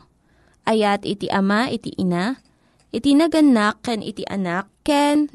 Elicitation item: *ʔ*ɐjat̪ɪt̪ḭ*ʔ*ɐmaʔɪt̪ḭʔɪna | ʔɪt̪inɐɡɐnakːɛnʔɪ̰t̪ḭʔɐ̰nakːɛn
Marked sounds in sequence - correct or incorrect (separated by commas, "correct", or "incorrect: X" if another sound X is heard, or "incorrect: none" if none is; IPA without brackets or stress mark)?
correct, correct